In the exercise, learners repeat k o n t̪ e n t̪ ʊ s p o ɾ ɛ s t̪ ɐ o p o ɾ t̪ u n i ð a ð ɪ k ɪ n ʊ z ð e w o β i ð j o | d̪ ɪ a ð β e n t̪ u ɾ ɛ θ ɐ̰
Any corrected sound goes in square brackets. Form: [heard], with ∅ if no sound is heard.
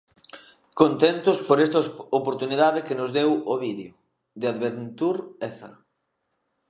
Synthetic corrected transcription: k o n t̪ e n t̪ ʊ s p o ɾ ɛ s t̪ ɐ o p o ɾ t̪ u n i ð a ð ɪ k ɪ n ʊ z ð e w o β i ð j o | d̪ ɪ a ð β e n t̪ u ɾ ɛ θ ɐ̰